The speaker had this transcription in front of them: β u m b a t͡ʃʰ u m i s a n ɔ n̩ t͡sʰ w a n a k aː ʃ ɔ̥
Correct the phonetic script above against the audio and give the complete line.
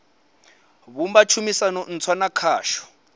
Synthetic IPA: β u m b a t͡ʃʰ u m i s a n ɔ n̩ t͡sʰ w a n a kʰ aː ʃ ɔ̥